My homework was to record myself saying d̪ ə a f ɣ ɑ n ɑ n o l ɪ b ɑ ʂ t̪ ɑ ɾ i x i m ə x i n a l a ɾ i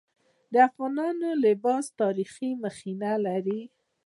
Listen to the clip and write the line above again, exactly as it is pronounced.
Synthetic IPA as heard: d̪ ə a f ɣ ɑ n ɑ n o l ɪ b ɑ s t̪ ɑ ɾ i x i m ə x i n a l a ɾ i